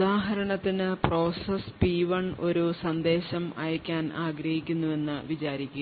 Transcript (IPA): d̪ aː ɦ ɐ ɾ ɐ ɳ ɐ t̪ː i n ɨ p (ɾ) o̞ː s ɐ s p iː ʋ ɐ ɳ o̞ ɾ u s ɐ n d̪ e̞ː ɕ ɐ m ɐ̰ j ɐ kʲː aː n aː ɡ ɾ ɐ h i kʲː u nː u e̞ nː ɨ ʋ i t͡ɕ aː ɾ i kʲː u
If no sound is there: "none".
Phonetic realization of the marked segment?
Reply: r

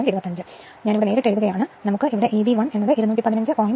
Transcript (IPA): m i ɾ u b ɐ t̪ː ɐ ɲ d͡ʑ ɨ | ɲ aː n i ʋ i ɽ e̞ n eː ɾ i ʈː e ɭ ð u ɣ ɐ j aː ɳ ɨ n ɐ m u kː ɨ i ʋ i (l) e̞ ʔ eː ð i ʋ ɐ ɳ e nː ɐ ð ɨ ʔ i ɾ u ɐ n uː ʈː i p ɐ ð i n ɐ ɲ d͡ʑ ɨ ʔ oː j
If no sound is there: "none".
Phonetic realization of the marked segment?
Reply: ɽ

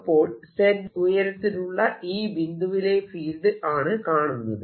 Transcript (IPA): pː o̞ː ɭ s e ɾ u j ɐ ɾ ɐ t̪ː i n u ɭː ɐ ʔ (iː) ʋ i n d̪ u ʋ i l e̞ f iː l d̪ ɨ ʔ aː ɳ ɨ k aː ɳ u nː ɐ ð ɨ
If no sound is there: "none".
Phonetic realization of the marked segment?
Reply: iː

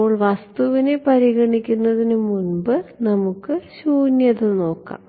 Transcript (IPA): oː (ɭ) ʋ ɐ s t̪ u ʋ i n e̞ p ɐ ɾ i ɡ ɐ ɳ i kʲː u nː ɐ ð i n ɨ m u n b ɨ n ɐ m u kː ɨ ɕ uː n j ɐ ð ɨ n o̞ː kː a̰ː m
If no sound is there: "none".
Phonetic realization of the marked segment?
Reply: ɭ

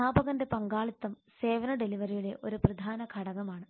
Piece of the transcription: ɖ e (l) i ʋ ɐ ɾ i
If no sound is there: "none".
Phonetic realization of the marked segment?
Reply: l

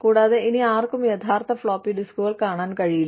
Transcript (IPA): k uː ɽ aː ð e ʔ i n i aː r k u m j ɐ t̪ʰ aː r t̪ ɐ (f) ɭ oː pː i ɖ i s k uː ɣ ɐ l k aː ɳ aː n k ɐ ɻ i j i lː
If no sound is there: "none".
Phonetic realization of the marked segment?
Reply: f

